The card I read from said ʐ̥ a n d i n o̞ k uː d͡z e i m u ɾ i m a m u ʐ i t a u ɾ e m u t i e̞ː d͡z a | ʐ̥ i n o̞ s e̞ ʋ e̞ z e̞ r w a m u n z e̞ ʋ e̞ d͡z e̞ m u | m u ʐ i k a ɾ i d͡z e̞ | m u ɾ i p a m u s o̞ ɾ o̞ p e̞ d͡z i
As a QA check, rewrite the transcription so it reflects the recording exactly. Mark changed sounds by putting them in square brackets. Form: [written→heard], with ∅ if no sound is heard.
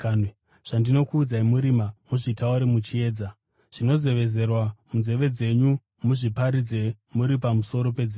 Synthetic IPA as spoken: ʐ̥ a n d i n o̞ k uː d͡z [e→a] i m u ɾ i m a m u ʐ i t a u ɾ e m u [t→t͡ʃ] i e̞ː d͡z a | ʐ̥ i n o̞ [s→z] e̞ ʋ e̞ z e̞ r w a m u n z e̞ ʋ e̞ d͡z e̞ [m→ɲ] u | m u ʐ i [k→p] a ɾ i d͡z e̞ | m u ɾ i p a m u s o̞ ɾ o̞ p e̞ d͡z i